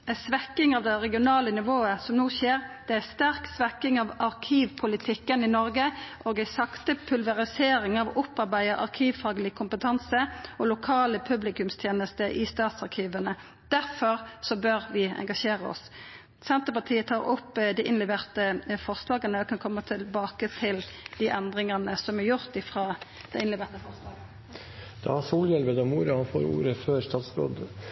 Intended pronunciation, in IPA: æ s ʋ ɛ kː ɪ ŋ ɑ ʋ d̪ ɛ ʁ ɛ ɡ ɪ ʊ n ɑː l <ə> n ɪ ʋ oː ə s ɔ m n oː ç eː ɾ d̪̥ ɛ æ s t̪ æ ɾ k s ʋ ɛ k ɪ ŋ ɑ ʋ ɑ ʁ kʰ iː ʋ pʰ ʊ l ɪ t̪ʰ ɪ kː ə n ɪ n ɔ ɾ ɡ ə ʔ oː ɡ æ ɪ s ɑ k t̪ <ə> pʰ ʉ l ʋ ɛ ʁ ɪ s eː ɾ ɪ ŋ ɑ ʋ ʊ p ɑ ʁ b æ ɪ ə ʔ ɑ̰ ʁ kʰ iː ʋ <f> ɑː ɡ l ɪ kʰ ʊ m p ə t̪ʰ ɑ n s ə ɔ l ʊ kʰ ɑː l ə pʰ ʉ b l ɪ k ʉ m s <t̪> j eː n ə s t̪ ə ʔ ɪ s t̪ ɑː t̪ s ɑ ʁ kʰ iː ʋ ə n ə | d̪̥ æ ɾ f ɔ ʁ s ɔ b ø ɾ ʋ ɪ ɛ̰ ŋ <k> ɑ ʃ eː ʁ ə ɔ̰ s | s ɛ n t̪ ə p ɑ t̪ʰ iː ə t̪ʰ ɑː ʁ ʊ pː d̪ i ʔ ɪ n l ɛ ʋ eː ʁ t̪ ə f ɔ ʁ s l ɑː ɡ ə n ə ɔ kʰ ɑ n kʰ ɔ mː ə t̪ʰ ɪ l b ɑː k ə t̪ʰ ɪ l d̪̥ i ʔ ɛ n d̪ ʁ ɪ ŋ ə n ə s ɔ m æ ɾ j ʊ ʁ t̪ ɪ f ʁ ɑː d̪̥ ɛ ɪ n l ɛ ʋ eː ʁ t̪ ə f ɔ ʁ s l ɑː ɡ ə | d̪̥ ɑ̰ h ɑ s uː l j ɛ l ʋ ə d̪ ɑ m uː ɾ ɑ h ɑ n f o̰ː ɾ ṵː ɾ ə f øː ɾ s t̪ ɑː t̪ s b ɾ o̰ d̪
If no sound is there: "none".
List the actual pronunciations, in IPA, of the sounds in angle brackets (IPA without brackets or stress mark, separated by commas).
ə, ə, f, t̪ʰ, ɡ